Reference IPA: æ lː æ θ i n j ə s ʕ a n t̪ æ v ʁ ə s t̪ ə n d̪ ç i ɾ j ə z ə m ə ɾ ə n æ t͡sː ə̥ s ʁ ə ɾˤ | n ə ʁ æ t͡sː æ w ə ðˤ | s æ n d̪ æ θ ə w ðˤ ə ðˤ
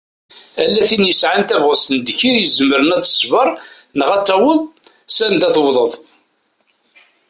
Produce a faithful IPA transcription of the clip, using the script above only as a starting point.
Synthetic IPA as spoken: æ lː æ θ i n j ə s ʕ a n t̪ æ v ʁ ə s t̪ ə n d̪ ç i ɾ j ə z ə m ə ɾ ə n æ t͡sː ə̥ s v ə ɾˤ | n ə ʁ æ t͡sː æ w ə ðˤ | s æ n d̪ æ θ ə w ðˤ ə ðˤ